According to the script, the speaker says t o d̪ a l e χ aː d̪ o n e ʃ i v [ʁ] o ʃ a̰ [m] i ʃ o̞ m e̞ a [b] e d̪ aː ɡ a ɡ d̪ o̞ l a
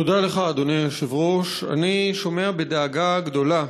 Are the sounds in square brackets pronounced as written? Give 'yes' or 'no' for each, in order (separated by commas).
yes, no, yes